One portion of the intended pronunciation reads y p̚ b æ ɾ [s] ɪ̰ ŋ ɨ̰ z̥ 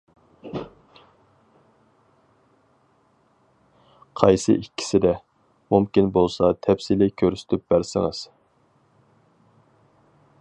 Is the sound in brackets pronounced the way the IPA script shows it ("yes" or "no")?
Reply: yes